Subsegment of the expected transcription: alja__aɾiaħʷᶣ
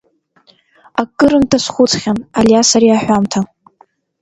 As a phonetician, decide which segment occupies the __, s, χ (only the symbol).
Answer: s